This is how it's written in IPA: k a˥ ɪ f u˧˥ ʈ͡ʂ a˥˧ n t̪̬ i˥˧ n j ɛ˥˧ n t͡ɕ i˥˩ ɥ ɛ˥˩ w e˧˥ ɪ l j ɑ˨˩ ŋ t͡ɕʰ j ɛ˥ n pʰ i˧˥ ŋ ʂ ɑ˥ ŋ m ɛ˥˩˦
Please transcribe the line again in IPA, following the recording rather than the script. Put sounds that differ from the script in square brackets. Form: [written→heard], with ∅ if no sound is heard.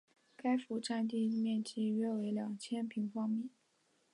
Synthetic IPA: k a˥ ɪ f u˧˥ ʈ͡ʂ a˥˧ n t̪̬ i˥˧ [n→m] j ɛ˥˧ n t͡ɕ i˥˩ ɥ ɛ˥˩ w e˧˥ ɪ l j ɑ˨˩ ŋ t͡ɕʰ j ɛ˥ n pʰ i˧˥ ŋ [ʂ→f] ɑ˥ ŋ m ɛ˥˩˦